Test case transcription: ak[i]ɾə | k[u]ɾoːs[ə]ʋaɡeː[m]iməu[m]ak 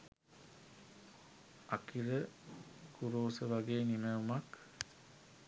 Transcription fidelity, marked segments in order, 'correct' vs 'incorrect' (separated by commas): correct, correct, correct, incorrect, correct